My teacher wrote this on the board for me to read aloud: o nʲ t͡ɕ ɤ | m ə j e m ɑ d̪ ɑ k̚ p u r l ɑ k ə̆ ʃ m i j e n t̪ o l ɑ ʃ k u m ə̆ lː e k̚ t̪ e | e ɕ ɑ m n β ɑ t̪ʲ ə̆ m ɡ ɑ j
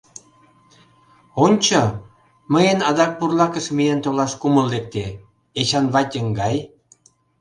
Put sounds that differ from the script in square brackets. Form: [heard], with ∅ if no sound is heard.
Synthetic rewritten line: o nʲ t͡ɕ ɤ | m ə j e [n] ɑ d̪ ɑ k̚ p u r l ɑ k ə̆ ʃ m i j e n t̪ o l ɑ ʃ k u m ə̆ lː e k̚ t̪ e | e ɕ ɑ [∅] n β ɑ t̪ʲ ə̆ [ŋ] ɡ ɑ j